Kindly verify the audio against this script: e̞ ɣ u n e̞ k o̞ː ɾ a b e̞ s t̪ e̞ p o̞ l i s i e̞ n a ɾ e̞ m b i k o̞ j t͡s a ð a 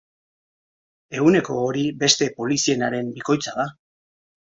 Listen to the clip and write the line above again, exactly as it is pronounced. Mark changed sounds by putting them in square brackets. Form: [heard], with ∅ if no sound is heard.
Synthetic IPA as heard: e̞ ɣ u n e̞ k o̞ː ɾ [i] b e̞ s t̪ e̞ p o̞ l i s i e̞ n a ɾ e̞ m b i k o̞ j t͡s a ð a